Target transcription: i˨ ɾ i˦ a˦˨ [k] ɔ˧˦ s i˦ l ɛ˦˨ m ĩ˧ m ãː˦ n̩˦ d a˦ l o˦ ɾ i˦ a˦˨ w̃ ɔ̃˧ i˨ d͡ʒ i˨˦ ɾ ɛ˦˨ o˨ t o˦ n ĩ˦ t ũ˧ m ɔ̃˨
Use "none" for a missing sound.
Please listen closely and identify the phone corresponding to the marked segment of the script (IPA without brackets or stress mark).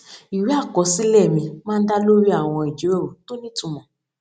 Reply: k